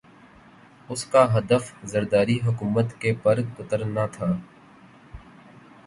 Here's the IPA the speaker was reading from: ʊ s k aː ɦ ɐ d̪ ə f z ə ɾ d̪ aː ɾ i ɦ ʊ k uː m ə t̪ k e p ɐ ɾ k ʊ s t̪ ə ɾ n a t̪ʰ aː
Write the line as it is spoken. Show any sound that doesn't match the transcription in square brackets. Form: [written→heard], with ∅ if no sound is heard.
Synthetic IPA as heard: ʊ s k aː ɦ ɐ d̪ ə f z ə ɾ d̪ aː ɾ i ɦ ʊ k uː m ə t̪ k e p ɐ ɾ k ʊ [s→∅] t̪ ə ɾ n a t̪ʰ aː